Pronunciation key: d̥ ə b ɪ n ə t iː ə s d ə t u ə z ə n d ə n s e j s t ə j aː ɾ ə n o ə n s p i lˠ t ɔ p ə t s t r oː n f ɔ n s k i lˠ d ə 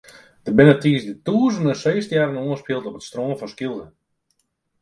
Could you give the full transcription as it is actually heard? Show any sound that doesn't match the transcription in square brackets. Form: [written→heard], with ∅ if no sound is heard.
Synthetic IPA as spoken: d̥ ə b ɪ n ə t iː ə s d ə t u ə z ə n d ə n s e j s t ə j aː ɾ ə n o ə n s p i lˠ t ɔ p ə t s t r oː n f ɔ n s k i lˠ d ə